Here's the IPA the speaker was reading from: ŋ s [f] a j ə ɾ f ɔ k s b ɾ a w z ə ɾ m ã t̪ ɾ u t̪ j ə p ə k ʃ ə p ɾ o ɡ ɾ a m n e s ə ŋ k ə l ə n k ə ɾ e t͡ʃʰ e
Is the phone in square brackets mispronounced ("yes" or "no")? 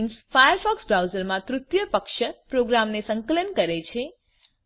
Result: no